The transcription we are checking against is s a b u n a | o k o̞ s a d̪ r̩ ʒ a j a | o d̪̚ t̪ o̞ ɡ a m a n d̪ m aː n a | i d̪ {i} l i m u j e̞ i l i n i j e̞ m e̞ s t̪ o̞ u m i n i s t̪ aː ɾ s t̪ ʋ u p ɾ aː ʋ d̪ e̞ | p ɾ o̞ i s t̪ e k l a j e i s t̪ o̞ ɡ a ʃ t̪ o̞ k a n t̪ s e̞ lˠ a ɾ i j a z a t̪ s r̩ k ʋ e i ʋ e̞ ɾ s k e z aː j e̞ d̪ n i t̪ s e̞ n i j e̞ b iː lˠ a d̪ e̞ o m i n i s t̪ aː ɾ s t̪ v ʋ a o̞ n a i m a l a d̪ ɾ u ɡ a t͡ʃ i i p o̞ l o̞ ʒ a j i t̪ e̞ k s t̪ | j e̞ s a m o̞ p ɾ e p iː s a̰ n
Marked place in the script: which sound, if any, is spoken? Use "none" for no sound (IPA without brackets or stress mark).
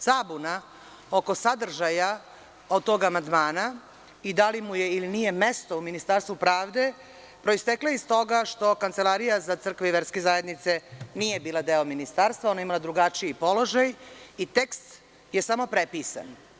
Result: a